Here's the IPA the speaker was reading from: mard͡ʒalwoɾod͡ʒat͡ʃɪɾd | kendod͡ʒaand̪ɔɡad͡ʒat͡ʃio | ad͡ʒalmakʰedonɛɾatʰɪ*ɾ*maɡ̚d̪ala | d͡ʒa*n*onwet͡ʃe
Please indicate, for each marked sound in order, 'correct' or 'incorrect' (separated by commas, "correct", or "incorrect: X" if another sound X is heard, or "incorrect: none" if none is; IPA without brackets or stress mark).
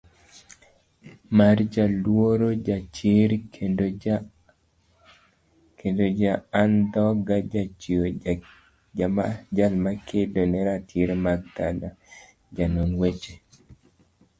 correct, correct